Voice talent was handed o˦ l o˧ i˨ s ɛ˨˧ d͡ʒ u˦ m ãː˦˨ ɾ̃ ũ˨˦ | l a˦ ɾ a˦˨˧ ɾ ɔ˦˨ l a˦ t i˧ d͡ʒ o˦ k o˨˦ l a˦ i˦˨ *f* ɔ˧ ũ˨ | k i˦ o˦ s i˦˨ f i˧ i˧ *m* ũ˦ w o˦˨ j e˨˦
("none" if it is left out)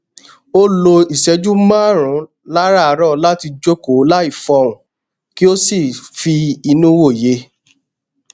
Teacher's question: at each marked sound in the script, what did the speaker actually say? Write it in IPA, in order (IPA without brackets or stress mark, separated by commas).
f, n